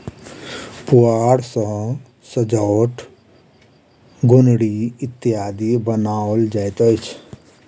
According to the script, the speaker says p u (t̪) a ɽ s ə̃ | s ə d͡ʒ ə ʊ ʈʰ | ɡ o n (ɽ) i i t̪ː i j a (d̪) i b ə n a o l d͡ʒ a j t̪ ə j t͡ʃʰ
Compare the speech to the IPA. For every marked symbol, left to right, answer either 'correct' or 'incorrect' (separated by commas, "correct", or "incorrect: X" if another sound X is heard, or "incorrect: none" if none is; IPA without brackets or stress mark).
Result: incorrect: none, correct, correct